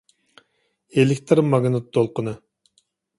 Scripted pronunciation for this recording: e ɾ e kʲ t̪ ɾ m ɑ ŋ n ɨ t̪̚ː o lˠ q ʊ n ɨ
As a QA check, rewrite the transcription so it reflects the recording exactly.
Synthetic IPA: e l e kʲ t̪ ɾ m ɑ ɡ n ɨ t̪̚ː o lˠ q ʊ n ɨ